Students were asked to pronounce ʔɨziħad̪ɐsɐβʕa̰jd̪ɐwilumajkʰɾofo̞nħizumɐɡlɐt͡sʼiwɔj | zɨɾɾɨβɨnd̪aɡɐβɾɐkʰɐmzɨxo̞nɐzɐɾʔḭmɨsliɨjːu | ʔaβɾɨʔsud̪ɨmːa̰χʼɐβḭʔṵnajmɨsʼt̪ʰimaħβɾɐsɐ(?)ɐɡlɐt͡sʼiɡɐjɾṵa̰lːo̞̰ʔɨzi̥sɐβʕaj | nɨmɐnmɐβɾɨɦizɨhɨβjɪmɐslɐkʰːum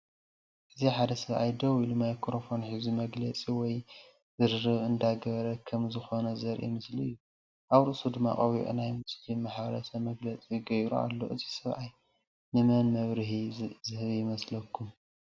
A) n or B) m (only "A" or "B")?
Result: B